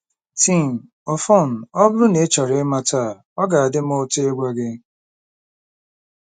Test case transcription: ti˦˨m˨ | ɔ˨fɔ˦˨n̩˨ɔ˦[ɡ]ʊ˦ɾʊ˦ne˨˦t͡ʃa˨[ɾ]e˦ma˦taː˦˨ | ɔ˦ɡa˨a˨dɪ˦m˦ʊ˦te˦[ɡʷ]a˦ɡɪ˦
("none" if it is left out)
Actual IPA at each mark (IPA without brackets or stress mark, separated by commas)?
b, ɾ, ɡʷ